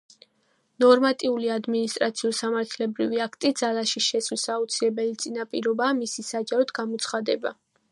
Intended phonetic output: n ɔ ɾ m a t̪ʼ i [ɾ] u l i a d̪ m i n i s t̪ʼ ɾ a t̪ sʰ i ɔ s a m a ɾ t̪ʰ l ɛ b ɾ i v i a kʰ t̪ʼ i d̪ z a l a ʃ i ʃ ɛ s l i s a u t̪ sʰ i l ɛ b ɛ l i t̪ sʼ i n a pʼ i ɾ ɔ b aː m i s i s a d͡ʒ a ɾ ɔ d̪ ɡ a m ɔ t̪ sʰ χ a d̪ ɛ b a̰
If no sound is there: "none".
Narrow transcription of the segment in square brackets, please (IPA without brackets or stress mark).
none